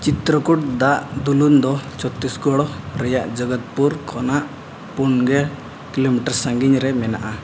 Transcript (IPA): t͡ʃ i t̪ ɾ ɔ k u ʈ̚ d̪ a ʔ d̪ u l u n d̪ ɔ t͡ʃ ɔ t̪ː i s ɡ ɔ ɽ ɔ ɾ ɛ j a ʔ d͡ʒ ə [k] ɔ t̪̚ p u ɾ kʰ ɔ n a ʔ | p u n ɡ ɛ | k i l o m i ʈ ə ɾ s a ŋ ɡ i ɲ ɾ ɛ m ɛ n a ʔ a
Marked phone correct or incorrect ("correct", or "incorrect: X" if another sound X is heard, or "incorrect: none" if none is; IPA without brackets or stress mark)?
incorrect: ɡ